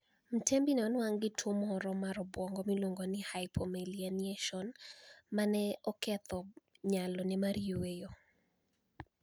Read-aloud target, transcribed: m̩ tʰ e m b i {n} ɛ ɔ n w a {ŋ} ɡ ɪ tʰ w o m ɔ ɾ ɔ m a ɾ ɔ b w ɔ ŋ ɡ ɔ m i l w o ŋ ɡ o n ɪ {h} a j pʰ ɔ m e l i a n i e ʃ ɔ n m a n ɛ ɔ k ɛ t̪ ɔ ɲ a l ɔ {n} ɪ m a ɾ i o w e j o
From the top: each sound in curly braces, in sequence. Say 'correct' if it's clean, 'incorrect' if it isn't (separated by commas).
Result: correct, correct, correct, correct